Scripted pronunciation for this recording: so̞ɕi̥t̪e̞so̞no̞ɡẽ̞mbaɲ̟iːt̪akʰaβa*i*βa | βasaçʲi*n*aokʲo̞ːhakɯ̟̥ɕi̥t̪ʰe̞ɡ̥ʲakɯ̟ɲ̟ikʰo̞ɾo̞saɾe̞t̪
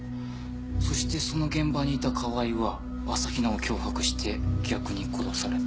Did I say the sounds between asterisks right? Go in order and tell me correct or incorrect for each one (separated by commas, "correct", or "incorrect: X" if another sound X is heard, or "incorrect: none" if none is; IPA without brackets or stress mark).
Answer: correct, correct